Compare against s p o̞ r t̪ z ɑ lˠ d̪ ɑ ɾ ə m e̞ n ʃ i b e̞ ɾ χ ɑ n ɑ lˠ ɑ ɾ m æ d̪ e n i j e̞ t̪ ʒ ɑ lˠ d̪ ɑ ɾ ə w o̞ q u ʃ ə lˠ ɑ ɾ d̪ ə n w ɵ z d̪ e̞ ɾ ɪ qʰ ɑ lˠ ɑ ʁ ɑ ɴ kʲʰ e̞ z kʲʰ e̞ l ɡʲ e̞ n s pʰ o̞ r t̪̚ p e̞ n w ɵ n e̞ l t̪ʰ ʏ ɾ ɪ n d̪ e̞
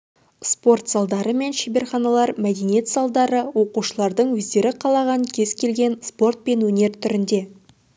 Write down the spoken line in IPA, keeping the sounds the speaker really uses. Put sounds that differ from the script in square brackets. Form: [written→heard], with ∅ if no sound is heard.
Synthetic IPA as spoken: s p o̞ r t̪ z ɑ lˠ d̪ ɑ ɾ ə m e̞ n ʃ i b e̞ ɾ χ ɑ n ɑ lˠ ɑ ɾ m æ d̪ e n i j e̞ t̪ [ʒ→z] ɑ lˠ d̪ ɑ ɾ ə w o̞ q u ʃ ə lˠ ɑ ɾ d̪ ə [n→ɴ] w ɵ z d̪ e̞ ɾ ɪ qʰ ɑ lˠ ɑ ʁ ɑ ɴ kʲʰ e̞ z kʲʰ e̞ l ɡʲ e̞ n s [pʰ→p] o̞ r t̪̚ p e̞ n w ɵ n e̞ [l→ɾ] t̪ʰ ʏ ɾ ɪ n d̪ e̞

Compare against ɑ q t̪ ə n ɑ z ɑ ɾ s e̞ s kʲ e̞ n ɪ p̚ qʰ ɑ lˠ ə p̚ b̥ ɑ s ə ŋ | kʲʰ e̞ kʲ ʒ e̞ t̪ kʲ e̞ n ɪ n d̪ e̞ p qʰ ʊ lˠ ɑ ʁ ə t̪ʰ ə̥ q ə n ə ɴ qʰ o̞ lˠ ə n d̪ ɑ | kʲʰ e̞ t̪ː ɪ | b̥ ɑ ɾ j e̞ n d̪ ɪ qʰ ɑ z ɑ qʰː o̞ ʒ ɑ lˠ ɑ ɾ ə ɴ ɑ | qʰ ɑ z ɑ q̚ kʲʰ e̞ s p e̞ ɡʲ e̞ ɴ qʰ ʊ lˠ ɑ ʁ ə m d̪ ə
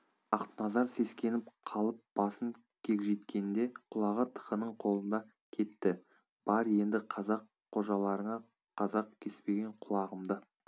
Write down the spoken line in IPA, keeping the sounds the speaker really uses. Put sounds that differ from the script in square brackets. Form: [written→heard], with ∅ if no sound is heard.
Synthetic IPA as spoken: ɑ q t̪ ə n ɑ z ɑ ɾ s e̞ s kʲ e̞ n ɪ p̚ qʰ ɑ lˠ ə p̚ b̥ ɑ s ə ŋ | kʲʰ e̞ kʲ ʒ e̞ t̪ kʲ e̞ n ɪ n d̪ e̞ [p→∅] qʰ ʊ lˠ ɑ ʁ ə t̪ʰ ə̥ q ə n ə ɴ qʰ o̞ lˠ ə n d̪ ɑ | kʲʰ e̞ t̪ː ɪ | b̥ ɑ ɾ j e̞ n d̪ ɪ qʰ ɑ z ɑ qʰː o̞ ʒ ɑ lˠ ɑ ɾ ə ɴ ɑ | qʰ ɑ z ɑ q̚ kʲʰ e̞ s p e̞ ɡʲ e̞ ɴ qʰ ʊ lˠ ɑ ʁ ə m d̪ ə

